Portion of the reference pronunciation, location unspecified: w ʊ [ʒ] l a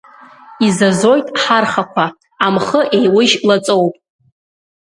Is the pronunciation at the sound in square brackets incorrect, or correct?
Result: correct